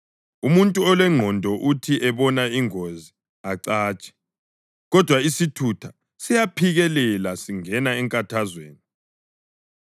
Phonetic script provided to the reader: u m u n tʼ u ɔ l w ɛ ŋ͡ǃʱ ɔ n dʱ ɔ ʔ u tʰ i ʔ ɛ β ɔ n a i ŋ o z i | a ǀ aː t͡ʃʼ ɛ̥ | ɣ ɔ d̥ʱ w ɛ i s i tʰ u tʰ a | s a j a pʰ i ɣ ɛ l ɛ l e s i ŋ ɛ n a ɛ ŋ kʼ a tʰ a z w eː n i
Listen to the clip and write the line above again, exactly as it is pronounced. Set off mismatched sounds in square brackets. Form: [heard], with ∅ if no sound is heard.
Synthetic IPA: u m u n tʼ u ɔ l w ɛ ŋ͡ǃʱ ɔ n dʱ ɔ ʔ u tʰ i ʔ ɛ β ɔ n a i ŋ o z i | a ǀ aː t͡ʃʼ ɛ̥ | ɣ ɔ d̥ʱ w [a] i s i tʰ u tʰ a | s [i] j a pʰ i ɣ ɛ l ɛ l [a] s i ŋ ɛ n a ɛ ŋ kʼ a tʰ a z w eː n i